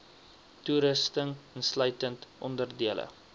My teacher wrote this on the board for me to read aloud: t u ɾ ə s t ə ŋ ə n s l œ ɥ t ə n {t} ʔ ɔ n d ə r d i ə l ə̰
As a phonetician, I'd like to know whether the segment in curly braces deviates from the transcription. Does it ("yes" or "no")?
no